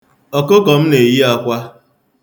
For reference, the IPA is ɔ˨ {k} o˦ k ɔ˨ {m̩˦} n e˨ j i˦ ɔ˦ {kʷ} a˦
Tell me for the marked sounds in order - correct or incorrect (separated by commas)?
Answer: correct, correct, correct